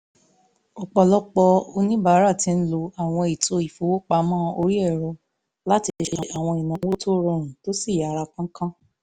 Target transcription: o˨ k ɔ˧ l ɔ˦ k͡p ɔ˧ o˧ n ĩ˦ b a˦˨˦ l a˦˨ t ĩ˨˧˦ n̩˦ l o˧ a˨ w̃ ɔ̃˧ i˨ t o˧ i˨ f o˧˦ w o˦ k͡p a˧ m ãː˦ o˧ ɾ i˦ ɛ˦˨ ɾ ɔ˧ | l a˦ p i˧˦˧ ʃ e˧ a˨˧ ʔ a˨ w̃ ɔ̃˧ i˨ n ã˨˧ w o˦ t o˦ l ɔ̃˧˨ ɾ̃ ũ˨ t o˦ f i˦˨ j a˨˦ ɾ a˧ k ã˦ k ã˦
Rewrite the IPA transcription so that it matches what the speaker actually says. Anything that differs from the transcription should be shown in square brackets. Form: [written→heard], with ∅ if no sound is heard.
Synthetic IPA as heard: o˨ [k→k͡p] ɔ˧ l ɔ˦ k͡p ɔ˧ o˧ n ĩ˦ b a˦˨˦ [l→ɾ] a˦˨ t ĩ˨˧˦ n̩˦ l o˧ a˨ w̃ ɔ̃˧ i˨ t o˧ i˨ f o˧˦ w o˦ k͡p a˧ m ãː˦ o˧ ɾ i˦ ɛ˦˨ ɾ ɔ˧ | l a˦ [p→t] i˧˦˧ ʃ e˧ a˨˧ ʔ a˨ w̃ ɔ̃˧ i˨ n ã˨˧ w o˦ t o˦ [l→ɾ] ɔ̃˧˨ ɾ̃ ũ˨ t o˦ [f→s] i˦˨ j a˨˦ ɾ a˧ k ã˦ k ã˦